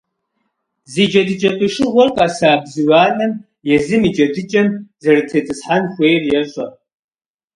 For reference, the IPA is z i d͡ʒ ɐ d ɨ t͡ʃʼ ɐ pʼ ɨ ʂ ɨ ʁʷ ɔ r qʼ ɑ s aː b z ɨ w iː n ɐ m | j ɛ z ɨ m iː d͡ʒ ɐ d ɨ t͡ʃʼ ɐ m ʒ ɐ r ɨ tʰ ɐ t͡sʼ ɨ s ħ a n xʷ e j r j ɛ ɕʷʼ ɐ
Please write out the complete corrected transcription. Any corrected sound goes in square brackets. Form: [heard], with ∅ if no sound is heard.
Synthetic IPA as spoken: z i d͡ʒ ɐ d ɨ t͡ʃʼ ɐ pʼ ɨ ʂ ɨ ʁʷ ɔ r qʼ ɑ s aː b z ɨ w [aː] n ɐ m | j ɛ z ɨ m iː d͡ʒ ɐ d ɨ t͡ʃʼ ɐ m [z] ɐ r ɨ tʰ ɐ t͡sʼ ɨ s ħ a n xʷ e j r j ɛ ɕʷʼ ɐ